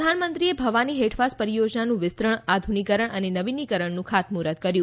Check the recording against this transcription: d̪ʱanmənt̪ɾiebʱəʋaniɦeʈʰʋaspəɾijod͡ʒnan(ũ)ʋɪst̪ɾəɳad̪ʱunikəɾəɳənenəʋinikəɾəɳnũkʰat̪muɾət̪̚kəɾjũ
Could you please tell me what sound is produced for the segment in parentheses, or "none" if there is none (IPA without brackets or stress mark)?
ũ